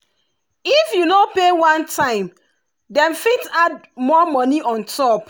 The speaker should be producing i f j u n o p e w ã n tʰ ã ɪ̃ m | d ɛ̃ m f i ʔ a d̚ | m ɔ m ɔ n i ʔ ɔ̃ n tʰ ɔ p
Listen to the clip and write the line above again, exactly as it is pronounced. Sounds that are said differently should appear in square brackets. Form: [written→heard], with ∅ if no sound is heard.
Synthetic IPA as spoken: i f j u n o p e w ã n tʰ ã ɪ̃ m | d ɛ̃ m f i [ʔ→t] a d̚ | m ɔ m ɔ n i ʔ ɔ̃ n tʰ ɔ p